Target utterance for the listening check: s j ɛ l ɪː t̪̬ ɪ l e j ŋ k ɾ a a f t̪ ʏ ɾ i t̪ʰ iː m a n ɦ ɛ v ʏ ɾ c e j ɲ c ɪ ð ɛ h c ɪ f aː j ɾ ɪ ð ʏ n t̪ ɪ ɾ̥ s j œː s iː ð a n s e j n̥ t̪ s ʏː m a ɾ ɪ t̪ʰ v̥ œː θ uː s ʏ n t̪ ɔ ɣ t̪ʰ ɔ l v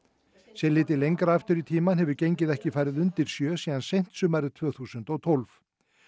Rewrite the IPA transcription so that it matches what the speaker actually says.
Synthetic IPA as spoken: s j ɛ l ɪː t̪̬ ɪ l e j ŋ k ɾ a a f t̪ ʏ ɾ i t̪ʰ iː m a n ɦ ɛ v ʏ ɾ c e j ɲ c ɪ ð ɛ h c ɪ f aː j ɾ ɪ ð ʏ n t̪ ɪ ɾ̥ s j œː s iː ð a n s e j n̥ t̪ s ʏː m a ɾ ɪ t̪ʰ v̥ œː θ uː s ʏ n t̪ ɔ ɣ t̪ʰ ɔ l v

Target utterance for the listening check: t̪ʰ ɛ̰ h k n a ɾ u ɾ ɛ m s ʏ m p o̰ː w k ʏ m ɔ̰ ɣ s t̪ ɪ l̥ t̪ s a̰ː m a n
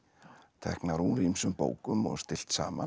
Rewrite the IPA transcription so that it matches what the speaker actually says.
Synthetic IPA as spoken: t̪ʰ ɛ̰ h k n a ɾ u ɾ i m s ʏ m p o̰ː w k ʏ m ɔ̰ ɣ s t̪ ɪ l̥ t̪ s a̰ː m a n

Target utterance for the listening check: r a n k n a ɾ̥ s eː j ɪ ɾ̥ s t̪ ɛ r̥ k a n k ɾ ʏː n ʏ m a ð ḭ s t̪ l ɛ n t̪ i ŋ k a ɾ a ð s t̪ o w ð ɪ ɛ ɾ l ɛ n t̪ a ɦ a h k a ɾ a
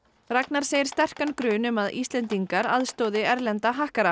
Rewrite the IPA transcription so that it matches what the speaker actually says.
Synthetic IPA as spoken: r a k n a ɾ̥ s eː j ɪ ɾ̥ s t̪ ɛ r̥ k a n k ɾ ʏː n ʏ m a ð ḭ s t̪ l ɛ n t̪ i ŋ k a ɾ a ð s t̪ o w ð ɪ ɛ ɾ l ɛ n t̪ a ɦ a h k a ɾ a

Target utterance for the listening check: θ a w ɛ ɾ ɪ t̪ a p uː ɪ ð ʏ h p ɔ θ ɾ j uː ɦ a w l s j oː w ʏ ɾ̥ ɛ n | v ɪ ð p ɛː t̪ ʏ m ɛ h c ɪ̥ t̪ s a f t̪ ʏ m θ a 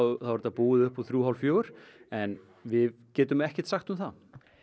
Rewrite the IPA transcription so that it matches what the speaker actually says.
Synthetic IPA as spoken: θ a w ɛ ɾ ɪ t̪ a p uː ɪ ð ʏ h p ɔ θ ɾ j uː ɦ a w l f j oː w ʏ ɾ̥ ɛ n | v ɪ ð c ɛː t̪ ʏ m ɛ h c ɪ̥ t̪ s a x t̪ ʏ m θ a

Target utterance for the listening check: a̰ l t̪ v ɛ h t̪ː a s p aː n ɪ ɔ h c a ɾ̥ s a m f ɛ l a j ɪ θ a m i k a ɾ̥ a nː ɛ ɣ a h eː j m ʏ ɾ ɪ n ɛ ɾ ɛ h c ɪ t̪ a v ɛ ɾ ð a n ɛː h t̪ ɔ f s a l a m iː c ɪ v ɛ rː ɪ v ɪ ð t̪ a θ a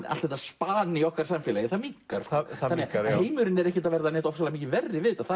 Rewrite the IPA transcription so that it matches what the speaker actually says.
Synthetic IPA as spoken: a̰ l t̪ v ɛ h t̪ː a s p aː n ɪ ɔ h k a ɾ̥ s a m f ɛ l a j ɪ θ a m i k a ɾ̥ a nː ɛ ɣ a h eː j m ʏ ɾ ɪ n ɛ ɾ ɛ h c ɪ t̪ a v ɛ ɾ ð a n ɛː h t̪ ɔ f s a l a m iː c ɪ v ɛ rː ɪ v ɪ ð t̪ a θ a

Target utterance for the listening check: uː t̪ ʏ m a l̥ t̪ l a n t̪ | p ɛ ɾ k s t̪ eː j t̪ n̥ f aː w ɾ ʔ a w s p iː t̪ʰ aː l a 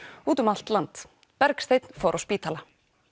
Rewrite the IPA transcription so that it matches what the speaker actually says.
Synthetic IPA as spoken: uː t̪ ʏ m a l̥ t̪ l a n t̪ | p ɛ ɾ k s t̪ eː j t̪ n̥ f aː w ɾ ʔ a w s p iː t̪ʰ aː l a

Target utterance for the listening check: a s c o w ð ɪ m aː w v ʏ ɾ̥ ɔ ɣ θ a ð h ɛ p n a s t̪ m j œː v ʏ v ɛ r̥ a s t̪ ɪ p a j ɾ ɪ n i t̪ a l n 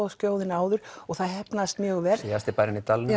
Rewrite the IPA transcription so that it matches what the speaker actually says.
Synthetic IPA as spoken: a s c o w ð ɪ n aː w ð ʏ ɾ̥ ɔ ɣ θ a ð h ɛ p n a s t̪ m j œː ɣ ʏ v ɛ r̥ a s t̪ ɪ p a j ɾ ɪ n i t̪ a l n

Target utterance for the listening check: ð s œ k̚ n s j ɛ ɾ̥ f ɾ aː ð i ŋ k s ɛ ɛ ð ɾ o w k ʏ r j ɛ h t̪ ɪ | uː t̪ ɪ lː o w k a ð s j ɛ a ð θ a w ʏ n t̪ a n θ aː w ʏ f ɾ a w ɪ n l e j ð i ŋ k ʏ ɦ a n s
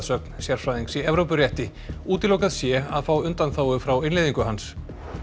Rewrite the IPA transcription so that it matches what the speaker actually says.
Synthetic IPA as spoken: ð s œ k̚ n s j ɛ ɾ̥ f ɾ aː ð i ŋ k s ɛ ɛ v ɾ o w p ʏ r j ɛ h t̪ ɪ | uː t̪ ɪ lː o w k a ð s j ɛ a ð f a w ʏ n t̪ a n θ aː w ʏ f ɾ a w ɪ n l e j ð i ŋ k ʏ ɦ a n s

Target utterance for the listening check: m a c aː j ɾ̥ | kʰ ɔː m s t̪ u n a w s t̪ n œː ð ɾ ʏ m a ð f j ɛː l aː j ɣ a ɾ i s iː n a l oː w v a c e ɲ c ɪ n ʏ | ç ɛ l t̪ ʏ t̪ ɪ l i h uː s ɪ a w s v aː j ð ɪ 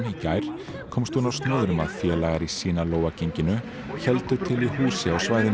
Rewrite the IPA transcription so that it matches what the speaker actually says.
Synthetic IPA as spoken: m i c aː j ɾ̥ | kʰ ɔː m s t̪ u n a w s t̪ n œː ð ɾ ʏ m a ð f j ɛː l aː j ɣ a ɾ i s iː n a l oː w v a c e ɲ c ɪ n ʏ | ç ɛ l t̪ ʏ t̪ʰ ɪ l i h uː s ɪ a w s v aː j ð ɪ

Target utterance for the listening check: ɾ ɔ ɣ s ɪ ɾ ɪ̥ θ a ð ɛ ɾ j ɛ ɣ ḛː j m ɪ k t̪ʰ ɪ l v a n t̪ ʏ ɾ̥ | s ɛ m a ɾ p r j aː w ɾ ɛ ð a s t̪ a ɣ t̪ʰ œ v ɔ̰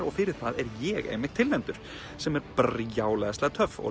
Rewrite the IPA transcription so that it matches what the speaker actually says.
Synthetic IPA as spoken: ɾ ɔ ɣ f ɪ ɾ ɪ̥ θ a ð ɛ ɾ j ɛ ɣ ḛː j m ɪ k t̪ʰ ɪ l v ɛ n t̪ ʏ ɾ̥ | s ɛ m ɛ ɾ p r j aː w l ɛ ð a s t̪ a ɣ t̪ʰ œ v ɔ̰

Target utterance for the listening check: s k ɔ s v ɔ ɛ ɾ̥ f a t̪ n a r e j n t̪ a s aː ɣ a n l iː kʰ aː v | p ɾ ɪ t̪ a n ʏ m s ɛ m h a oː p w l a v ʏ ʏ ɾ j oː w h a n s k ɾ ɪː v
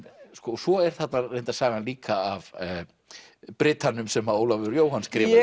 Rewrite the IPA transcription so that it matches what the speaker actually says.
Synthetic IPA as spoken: s k ɔ s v ɔ ɛ ɾ̥ θ a t̪ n a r e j n t̪ a s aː ɣ a n l iː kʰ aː v | p ɾ ɪ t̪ a n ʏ m s ɛ m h a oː w l a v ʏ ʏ ɾ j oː w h a n s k ɾ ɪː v

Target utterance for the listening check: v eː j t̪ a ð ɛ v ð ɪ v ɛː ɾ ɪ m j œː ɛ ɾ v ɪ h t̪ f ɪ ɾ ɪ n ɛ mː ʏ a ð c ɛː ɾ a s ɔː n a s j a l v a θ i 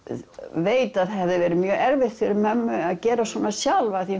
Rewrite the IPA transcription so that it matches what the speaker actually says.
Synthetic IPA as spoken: v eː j t̪ a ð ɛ v ð ɪ v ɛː ɾ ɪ m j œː ɛ ɾ v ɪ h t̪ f ɪ ɾ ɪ m ɛ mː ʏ a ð c ɛː ɾ a s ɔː n a s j a l v a θ i

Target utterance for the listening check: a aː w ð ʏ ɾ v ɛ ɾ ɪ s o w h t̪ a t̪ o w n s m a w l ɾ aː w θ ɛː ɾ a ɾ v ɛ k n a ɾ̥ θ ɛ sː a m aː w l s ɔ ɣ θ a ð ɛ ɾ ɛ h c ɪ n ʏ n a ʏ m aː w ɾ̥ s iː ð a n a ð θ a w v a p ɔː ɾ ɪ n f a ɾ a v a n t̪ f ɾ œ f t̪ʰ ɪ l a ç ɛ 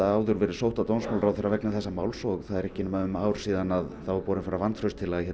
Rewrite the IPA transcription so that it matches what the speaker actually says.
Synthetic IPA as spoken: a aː w ð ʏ ɾ v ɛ ɾ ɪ s o w h t̪ a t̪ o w n s m a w l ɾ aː w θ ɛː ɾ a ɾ v ɛ k n a θ ɛ sː a m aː w l s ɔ ɣ θ a ð ɛ ɾ ɛ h c ɪ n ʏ m a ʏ m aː w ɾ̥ s iː ð a n a ð θ a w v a p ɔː ɾ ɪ n f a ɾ a v a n t̪ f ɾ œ s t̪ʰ ɪ l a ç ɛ

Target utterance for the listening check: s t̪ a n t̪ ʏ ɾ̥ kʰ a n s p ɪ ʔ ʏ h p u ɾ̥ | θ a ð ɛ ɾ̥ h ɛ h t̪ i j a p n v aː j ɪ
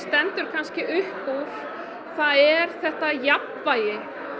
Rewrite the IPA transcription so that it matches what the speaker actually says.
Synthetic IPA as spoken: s t̪ ɛ n t̪ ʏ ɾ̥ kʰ a n s c ɪ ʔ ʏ h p u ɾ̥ | θ a ð ɛ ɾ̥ θ ɛ h t̪ a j a p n v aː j ɪ

